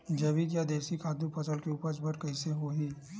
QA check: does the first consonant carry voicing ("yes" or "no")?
yes